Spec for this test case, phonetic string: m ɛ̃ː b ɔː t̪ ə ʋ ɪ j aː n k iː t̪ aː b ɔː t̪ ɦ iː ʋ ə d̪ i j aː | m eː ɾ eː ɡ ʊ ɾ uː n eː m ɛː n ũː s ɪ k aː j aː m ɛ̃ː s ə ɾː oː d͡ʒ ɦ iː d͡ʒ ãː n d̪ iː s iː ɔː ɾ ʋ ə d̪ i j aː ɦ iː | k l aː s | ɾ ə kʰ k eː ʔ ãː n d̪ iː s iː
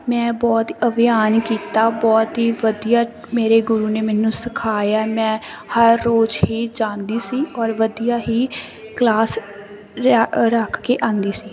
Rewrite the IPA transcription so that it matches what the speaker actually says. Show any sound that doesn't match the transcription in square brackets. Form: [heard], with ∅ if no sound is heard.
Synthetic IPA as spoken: m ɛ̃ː b ɔː t̪ ə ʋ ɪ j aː n k iː t̪ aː b ɔː t̪ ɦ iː ʋ ə d̪ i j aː | m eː ɾ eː ɡ ʊ ɾ uː n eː m ɛː n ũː s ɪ [kʰ] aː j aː m ɛ̃ː [h] ə ɾː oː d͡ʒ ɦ iː d͡ʒ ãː n d̪ iː s iː ɔː ɾ ʋ ə d̪ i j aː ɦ iː | k l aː s | ɾ ə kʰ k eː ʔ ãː n d̪ iː s iː